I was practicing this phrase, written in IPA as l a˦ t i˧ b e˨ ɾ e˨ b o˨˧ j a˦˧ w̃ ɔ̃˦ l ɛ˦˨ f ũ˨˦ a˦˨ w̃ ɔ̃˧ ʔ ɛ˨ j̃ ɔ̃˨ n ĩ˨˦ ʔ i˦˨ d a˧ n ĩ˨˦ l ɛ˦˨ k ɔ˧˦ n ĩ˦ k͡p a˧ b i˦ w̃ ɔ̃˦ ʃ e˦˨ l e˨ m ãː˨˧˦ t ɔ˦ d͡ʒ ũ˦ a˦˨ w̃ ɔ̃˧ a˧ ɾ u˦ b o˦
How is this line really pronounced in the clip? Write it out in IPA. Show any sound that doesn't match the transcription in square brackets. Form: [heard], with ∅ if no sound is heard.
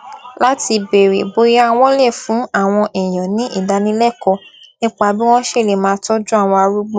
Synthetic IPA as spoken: l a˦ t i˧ b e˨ ɾ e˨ b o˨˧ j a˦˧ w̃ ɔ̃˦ l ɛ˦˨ f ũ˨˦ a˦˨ w̃ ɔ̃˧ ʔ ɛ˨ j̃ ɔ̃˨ n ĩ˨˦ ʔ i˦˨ d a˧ n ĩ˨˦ l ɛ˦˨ k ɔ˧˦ n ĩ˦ k͡p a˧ b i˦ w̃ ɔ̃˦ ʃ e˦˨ l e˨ m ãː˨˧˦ t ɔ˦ d͡ʒ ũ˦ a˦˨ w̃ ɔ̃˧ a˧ ɾ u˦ [ɡ͡b] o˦

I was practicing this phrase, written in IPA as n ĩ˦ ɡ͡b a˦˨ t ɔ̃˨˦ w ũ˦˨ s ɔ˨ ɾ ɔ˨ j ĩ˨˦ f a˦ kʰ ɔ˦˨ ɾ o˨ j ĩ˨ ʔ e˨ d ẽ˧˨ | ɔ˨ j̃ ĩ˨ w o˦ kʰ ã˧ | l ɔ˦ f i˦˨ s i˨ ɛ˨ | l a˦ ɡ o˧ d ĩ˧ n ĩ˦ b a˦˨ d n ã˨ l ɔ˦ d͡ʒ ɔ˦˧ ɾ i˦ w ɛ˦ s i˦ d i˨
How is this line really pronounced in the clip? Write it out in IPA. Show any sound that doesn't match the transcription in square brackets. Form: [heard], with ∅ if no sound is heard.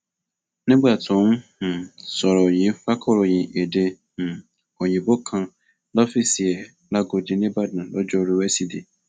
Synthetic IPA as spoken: n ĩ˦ ɡ͡b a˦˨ t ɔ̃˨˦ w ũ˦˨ s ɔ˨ ɾ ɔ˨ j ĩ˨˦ f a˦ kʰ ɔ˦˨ ɾ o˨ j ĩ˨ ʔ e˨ d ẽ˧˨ | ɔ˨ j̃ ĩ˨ [b] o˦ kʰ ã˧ | l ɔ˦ f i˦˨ s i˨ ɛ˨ | l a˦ ɡ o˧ d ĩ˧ n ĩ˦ b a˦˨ d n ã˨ l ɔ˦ d͡ʒ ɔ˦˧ ɾ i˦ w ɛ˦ s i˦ d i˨

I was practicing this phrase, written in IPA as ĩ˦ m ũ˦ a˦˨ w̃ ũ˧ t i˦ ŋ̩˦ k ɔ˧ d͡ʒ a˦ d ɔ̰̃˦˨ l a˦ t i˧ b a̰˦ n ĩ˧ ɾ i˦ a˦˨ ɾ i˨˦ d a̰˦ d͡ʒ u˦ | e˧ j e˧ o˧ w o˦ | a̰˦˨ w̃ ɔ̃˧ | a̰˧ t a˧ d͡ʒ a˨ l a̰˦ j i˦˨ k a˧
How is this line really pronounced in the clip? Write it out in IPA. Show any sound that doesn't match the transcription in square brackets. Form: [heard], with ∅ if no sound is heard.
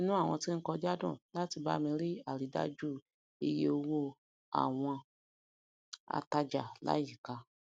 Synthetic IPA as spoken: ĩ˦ [n] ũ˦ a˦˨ w̃ [ɔ̃˧] t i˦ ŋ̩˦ k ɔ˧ d͡ʒ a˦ d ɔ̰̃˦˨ l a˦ t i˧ b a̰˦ [m] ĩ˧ ɾ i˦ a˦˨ ɾ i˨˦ d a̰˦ d͡ʒ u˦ | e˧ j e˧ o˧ w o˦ | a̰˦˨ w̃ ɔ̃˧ | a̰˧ t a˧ d͡ʒ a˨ l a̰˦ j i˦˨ k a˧

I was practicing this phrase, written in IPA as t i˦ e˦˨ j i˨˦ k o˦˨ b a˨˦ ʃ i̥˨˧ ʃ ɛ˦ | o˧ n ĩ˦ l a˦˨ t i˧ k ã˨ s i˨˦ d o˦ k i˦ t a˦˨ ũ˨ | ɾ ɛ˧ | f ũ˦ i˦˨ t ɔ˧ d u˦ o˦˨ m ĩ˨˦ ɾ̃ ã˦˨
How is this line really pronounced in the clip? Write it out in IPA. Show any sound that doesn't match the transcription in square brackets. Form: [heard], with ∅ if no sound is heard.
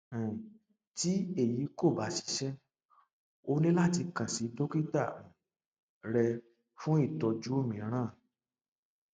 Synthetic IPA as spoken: t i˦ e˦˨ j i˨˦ k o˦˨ b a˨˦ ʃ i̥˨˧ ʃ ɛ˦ | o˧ n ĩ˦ l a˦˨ t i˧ k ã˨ s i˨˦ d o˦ k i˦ t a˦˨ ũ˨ | ɾ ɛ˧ | f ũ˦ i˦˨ t ɔ˧ [d͡ʒ] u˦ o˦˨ m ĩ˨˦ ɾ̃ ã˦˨

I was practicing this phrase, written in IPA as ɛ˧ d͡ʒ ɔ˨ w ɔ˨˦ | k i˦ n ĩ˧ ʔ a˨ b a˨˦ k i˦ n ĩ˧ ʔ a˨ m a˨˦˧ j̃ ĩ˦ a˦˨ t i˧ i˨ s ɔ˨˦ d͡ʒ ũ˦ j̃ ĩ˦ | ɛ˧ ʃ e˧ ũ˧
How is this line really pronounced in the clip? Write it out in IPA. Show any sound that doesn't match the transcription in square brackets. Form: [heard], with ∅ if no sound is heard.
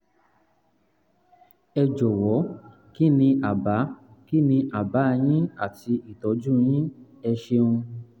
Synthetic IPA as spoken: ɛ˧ d͡ʒ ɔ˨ w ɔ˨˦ | k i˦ n ĩ˧ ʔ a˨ b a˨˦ k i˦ n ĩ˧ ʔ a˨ [b] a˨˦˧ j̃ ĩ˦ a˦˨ t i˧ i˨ [t] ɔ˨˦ d͡ʒ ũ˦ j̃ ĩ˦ | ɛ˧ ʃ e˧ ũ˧

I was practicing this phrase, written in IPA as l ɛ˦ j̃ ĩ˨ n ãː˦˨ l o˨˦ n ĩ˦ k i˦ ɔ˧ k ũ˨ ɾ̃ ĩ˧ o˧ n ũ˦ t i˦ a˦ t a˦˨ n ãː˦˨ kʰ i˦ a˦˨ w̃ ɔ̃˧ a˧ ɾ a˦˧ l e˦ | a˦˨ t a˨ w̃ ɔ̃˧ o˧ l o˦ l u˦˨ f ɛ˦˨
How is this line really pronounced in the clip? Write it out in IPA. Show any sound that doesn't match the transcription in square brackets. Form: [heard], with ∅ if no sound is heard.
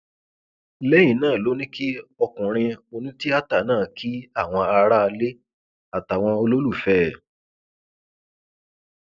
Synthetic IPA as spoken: l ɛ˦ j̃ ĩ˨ n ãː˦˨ l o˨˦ n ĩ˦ k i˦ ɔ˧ k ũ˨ ɾ̃ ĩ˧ o˧ n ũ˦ t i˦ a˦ t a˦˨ n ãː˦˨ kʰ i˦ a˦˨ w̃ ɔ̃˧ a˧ ɾ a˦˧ l e˦ | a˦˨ t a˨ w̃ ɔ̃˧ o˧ l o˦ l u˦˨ f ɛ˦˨

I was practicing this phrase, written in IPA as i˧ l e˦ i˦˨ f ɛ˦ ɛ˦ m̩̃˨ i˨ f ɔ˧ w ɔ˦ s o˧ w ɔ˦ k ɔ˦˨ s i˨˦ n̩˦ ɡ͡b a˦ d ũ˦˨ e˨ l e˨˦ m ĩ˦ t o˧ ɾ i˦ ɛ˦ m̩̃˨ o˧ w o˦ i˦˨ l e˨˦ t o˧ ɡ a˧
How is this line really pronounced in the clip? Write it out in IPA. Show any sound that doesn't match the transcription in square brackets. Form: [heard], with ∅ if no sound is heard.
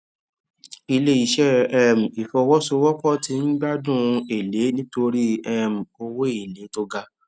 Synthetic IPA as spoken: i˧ l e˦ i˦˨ [ʃ] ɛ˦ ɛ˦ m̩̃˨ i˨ f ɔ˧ w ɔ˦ s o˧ w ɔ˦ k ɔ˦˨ [t] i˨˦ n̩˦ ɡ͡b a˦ d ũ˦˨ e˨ l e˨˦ [n] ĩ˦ t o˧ ɾ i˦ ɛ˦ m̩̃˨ o˧ w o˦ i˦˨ l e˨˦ t o˧ ɡ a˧

